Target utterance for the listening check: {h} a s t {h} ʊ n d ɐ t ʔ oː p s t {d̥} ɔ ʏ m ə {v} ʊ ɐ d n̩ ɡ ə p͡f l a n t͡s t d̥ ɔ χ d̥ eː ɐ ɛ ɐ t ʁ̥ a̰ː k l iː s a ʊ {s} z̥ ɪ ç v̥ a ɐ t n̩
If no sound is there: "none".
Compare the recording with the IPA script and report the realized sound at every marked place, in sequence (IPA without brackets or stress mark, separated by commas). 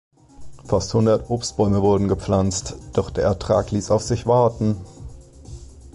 f, h, b̥, v, f